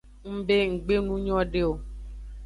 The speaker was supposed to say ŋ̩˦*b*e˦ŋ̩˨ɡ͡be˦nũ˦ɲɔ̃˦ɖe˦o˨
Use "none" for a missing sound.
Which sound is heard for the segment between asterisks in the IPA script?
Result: b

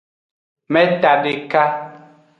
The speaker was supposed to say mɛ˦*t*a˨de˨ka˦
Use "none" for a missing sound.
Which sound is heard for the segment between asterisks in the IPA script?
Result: t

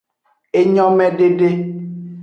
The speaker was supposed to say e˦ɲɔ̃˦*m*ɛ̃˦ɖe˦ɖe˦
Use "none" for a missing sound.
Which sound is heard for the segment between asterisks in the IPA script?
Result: m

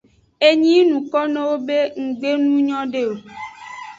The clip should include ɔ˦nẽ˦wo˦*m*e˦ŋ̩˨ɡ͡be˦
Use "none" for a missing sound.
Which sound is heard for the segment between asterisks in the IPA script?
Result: b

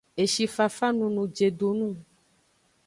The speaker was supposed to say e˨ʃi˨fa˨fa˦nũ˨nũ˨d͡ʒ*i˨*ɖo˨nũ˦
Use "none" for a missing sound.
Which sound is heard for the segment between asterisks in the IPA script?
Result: e˨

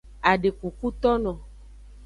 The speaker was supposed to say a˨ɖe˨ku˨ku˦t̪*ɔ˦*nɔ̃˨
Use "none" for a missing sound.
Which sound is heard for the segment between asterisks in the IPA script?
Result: ɔ˦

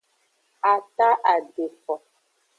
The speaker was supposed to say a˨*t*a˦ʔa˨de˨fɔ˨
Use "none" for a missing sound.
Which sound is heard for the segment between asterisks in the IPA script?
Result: t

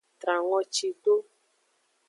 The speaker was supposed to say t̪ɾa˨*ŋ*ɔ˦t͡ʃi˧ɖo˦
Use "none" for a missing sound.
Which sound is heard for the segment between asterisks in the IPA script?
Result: ŋ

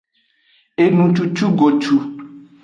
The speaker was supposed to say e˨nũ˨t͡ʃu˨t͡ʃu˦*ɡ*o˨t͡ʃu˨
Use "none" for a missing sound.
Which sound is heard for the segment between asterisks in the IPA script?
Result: ɡ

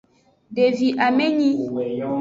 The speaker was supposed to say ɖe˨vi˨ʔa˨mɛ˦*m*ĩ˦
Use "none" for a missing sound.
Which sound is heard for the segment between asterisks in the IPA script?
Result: ɲ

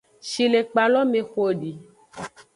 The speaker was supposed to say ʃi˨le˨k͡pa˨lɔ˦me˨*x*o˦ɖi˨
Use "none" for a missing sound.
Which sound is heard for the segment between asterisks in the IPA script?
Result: x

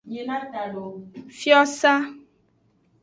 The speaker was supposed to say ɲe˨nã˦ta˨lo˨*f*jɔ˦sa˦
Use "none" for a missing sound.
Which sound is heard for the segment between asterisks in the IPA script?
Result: f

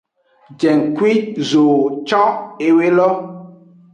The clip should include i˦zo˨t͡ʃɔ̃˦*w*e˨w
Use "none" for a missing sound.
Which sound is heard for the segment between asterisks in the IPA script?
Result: none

